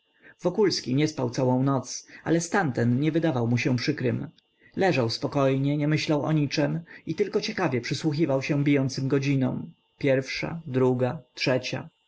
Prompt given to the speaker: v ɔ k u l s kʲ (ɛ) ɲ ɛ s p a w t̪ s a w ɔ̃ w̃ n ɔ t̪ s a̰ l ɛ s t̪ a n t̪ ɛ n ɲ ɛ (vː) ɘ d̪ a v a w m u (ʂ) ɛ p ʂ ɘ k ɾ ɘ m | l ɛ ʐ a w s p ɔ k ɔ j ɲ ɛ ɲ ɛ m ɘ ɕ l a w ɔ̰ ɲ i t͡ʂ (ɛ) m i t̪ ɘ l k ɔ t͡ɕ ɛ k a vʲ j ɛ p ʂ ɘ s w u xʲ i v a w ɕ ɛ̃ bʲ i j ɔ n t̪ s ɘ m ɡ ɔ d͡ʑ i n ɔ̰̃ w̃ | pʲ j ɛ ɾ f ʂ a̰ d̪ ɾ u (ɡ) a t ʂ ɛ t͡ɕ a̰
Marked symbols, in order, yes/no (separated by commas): no, no, no, yes, yes